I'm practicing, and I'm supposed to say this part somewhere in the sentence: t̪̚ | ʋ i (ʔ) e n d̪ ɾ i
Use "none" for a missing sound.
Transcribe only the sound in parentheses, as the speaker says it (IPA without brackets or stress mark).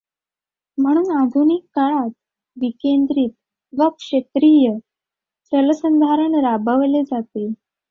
k